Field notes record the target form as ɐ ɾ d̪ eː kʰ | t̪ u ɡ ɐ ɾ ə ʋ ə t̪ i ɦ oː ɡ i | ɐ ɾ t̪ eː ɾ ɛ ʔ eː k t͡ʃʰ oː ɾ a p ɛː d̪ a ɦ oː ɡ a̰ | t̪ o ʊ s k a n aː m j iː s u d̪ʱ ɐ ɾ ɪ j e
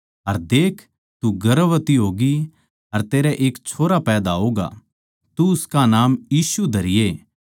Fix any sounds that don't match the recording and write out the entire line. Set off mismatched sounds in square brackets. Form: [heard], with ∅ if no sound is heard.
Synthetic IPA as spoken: ɐ ɾ d̪ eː kʰ | t̪ u ɡ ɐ ɾ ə ʋ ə t̪ i ɦ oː ɡ i | ɐ ɾ t̪ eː ɾ ɛ ʔ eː k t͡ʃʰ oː ɾ a p ɛː d̪ a ɦ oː ɡ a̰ | t̪ [u] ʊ s k a n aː m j iː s u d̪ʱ ɐ ɾ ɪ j e